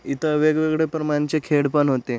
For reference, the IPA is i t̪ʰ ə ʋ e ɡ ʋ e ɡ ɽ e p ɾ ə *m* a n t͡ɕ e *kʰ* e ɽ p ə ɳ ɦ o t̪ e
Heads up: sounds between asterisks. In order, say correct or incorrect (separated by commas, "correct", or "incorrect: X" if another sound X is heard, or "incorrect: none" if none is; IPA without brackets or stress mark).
correct, correct